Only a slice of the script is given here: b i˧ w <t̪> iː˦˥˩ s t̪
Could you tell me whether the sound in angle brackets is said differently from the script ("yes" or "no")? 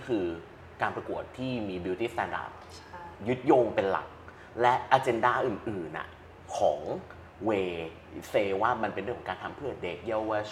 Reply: no